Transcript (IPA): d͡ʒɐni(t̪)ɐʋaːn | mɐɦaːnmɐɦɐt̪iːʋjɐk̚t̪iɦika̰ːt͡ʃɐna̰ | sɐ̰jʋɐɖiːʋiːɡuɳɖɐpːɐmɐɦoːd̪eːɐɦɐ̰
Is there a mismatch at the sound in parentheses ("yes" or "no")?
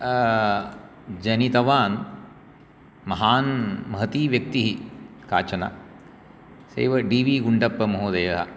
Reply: no